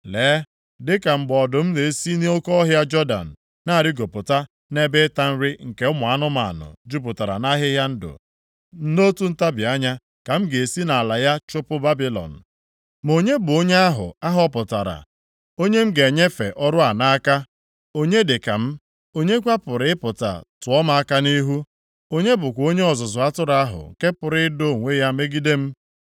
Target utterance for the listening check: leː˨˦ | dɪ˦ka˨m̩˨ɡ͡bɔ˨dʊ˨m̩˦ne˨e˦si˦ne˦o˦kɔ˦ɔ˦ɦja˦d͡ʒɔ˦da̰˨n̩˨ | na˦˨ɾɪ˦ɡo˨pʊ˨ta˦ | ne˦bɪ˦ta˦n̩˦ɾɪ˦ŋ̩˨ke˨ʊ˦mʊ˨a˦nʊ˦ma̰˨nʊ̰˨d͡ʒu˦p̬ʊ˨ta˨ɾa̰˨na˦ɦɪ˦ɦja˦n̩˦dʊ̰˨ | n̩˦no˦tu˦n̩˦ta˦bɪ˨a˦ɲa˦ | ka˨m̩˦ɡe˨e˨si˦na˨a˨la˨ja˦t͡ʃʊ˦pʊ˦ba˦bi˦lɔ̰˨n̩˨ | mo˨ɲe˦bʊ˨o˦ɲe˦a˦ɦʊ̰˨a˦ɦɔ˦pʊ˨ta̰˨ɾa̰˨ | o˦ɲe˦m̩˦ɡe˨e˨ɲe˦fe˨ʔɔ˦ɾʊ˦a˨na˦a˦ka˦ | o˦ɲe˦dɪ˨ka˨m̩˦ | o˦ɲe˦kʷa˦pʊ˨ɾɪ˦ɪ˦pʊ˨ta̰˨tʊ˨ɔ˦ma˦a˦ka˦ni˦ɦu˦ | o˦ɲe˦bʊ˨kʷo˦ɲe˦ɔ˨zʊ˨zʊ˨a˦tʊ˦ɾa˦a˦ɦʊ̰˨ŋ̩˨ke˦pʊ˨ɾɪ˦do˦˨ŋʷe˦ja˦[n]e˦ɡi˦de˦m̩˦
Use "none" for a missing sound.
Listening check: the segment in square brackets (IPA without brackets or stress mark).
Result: m